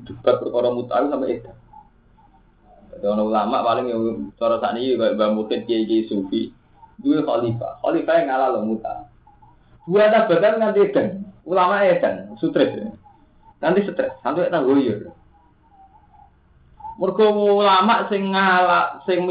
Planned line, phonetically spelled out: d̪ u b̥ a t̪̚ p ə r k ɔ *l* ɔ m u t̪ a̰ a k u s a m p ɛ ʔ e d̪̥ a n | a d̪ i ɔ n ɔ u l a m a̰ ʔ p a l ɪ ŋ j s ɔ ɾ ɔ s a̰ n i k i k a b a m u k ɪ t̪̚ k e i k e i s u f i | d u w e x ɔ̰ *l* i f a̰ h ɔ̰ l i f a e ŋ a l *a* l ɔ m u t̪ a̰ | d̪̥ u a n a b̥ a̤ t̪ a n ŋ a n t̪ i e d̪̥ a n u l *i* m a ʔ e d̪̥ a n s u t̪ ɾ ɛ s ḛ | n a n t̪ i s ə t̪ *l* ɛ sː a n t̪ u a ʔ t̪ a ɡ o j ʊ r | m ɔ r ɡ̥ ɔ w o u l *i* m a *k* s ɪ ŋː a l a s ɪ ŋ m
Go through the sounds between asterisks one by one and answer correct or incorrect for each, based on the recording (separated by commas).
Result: incorrect, correct, correct, incorrect, incorrect, incorrect, incorrect